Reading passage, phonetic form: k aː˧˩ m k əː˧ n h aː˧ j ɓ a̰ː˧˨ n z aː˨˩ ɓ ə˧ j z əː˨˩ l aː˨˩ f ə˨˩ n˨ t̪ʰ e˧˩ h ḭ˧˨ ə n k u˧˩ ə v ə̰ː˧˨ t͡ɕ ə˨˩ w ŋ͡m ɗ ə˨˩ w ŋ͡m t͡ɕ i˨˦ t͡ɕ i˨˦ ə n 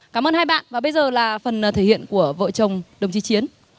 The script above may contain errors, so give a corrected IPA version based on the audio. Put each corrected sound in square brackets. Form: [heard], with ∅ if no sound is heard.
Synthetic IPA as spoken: k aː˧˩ m [ʔ] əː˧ n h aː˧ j ɓ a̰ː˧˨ n [v] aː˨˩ ɓ ə˧ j z əː˨˩ l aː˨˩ f ə˨˩ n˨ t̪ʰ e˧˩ h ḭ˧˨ ə n k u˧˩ ə v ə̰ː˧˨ t͡ɕ ə˨˩ w ŋ͡m ɗ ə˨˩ w ŋ͡m t͡ɕ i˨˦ t͡ɕ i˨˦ ə n